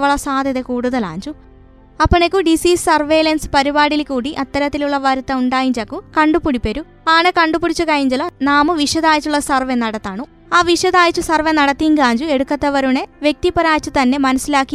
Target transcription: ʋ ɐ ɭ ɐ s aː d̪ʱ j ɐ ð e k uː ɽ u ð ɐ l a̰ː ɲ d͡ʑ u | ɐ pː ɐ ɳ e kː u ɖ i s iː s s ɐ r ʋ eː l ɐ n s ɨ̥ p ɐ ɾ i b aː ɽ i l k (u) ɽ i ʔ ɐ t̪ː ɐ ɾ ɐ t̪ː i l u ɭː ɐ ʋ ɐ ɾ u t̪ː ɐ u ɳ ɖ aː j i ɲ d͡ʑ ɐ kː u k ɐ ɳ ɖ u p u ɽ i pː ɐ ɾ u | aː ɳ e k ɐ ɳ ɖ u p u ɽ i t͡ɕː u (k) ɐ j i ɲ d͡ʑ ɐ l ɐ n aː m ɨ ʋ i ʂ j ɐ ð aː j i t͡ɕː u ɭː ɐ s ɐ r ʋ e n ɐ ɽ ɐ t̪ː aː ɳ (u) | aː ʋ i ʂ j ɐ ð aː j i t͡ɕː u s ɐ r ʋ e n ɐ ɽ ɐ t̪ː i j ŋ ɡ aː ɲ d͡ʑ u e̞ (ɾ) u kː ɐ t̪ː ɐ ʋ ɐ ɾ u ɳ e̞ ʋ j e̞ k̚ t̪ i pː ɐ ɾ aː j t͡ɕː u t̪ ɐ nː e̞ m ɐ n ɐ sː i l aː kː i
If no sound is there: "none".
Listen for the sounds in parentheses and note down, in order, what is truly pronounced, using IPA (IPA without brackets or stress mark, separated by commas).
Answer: uː, k, u, ɽ